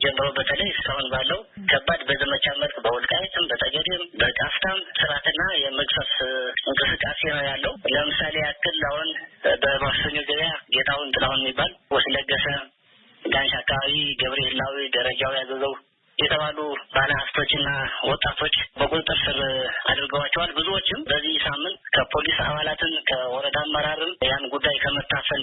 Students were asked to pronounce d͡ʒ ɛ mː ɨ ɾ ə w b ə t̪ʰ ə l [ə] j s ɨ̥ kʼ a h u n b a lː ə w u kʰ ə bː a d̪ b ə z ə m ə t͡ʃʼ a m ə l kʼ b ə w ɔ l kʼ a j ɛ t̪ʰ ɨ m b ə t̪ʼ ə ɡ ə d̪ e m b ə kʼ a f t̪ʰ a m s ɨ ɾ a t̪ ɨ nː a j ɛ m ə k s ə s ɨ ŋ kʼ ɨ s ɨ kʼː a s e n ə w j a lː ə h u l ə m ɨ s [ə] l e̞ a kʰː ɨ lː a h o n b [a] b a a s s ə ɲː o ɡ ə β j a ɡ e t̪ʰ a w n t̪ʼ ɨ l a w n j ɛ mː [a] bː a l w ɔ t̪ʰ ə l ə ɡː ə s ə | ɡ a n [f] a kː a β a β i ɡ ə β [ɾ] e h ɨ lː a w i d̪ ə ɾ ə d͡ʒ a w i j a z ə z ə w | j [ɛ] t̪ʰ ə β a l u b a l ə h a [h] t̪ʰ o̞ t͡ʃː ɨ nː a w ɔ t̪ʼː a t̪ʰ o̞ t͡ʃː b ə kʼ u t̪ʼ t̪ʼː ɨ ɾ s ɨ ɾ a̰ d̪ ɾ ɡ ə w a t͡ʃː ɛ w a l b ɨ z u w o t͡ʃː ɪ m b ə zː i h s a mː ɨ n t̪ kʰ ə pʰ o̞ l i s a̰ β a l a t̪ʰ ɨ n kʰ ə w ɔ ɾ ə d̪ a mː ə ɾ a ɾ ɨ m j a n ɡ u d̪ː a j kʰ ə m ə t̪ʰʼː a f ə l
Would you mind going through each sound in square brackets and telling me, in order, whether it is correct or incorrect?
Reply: correct, incorrect, incorrect, incorrect, incorrect, correct, correct, incorrect

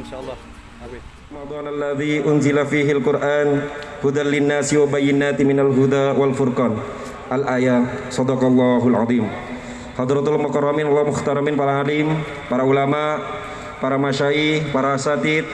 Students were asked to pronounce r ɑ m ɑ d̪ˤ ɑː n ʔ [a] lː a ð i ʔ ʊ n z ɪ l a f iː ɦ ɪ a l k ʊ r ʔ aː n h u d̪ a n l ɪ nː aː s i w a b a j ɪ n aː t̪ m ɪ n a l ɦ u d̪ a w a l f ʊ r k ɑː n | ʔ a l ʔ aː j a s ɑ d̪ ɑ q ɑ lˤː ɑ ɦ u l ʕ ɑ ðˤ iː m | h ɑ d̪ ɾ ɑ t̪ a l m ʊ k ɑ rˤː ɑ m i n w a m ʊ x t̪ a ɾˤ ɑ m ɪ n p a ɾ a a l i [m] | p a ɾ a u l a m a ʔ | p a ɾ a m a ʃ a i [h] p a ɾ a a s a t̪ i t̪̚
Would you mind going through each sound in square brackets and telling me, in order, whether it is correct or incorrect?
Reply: correct, correct, correct

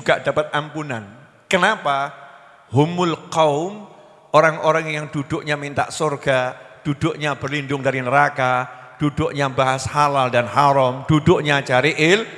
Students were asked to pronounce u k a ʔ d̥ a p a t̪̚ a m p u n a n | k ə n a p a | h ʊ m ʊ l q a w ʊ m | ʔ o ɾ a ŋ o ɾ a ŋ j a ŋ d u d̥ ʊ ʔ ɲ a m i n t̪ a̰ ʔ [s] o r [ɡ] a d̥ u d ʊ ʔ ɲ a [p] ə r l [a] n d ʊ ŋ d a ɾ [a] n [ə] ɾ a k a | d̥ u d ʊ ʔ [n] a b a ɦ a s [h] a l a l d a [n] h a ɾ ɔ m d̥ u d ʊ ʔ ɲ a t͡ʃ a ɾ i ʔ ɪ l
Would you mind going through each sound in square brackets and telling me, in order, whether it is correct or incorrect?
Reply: correct, correct, incorrect, incorrect, incorrect, correct, incorrect, correct, correct

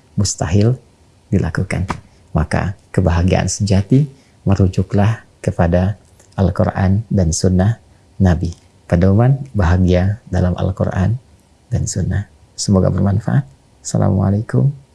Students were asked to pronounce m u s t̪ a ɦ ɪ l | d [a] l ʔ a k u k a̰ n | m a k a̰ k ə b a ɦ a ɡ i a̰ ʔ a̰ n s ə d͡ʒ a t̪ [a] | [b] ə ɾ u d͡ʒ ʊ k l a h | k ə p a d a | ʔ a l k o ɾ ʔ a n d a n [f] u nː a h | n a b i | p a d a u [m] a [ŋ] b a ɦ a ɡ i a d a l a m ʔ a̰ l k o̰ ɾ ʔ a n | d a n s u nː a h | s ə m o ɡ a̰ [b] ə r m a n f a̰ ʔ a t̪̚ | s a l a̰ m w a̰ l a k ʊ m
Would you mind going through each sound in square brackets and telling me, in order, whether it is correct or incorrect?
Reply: incorrect, incorrect, incorrect, incorrect, correct, incorrect, correct

